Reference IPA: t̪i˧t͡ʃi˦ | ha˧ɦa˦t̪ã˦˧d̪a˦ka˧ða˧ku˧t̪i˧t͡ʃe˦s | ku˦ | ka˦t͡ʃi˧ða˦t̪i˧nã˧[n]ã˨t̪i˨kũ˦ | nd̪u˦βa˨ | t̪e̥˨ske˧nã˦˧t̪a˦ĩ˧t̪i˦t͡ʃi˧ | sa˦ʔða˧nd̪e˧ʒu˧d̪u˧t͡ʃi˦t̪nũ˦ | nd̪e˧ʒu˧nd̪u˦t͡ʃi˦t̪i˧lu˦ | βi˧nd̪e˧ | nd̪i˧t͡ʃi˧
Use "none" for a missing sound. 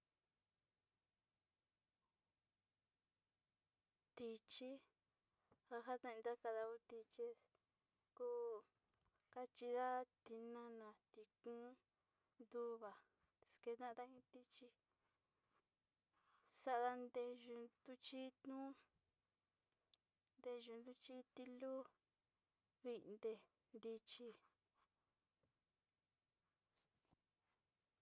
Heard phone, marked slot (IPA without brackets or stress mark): n